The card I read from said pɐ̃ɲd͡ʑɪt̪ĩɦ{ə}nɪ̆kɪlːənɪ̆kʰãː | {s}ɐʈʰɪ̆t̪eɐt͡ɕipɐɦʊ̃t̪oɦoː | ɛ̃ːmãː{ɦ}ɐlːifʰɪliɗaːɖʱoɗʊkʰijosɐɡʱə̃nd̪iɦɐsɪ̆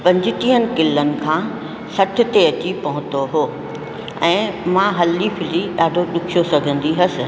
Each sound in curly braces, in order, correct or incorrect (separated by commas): correct, correct, correct